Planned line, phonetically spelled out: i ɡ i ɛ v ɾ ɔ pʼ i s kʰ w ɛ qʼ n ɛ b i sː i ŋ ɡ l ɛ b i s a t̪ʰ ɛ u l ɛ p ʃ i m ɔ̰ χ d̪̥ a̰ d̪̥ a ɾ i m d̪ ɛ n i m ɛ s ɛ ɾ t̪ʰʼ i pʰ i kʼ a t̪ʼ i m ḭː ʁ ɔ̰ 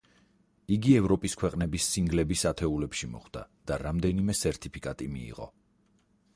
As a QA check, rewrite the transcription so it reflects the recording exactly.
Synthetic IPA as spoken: i ɡ i ɛ v ɾ ɔ pʼ i s kʰ w ɛ qʼ n ɛ b i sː i ŋ ɡ l ɛ b i s a t̪ʰ ɛ u l ɛ p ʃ i m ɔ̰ χ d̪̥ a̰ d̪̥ a ɾ a m d̪ ɛ n i m ɛ s ɛ ɾ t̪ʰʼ i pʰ i kʼ a t̪ʼ i m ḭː ʁ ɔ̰